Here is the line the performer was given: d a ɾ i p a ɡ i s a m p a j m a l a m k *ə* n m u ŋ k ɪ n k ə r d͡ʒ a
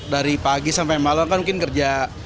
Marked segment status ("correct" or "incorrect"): incorrect